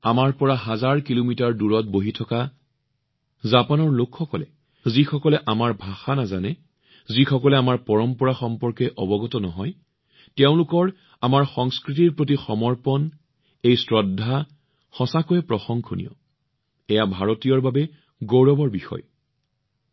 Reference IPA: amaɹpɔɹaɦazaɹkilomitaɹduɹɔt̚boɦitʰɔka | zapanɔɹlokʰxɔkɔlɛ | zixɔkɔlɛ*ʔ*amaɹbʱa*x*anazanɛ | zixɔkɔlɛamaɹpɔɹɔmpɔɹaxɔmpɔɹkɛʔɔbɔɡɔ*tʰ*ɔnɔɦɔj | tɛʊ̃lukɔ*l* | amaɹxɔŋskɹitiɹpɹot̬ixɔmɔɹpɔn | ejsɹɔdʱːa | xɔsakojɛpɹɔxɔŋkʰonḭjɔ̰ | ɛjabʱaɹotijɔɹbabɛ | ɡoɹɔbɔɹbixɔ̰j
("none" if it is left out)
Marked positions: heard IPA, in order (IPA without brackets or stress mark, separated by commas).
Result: ʔ, x, t, ɹ